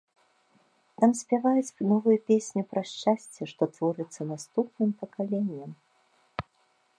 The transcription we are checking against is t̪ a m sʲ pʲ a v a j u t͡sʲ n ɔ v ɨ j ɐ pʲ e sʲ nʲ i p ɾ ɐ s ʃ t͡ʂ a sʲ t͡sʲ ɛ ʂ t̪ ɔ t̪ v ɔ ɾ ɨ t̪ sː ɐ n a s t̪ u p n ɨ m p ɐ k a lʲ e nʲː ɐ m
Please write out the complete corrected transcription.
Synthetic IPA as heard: t̪ a m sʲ pʲ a v a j u t͡sʲ n ɔ v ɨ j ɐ pʲ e sʲ nʲ i p ɾ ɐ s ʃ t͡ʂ a sʲ t͡sʲ ɛ ʂ t̪ ɔ t̪ v ɔ ɾ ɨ t̪ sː ɐ n a s t̪ u p n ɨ m p ɐ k a lʲ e nʲː ɐ m